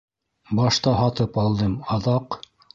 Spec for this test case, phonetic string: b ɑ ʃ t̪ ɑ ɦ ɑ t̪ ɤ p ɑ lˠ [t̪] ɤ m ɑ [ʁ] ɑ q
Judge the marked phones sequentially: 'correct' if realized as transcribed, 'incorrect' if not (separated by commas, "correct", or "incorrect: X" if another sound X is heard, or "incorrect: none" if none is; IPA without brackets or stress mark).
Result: incorrect: d̪, incorrect: ð